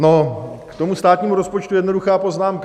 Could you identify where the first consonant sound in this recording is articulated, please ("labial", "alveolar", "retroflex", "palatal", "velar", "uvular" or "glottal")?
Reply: alveolar